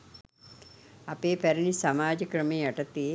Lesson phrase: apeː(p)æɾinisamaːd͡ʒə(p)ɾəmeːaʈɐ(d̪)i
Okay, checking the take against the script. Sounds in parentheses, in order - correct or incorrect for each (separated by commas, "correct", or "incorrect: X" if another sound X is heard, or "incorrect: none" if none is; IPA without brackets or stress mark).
correct, incorrect: k, incorrect: t̪